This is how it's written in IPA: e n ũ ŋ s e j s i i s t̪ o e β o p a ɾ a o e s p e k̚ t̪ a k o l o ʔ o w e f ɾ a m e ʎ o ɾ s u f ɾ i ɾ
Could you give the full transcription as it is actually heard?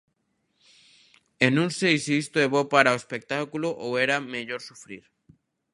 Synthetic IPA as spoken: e n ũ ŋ s e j s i i s t̪ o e β o p a ɾ a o e s p e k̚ t̪ a k u l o ʔ o w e ɾ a m e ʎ o ɾ s u f ɾ i ɾ